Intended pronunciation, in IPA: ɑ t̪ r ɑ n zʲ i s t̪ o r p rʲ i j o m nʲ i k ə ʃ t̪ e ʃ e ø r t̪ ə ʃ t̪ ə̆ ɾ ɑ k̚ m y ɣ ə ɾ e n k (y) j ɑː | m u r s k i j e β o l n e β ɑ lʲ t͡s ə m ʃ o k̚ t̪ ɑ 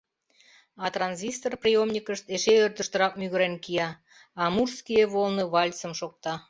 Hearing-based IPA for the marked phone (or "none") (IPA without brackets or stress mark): i